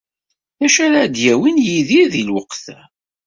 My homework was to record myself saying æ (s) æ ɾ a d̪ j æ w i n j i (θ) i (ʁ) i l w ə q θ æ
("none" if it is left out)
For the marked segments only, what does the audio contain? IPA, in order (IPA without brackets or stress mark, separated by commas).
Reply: ʃ, ð, ð